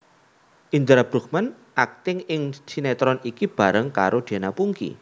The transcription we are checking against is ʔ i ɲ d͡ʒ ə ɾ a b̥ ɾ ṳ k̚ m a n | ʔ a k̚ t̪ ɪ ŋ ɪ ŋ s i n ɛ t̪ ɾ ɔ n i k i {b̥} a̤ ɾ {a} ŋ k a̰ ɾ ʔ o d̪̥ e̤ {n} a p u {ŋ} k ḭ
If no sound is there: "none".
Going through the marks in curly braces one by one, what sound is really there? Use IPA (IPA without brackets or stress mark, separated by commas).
b̥, ə, n, ŋ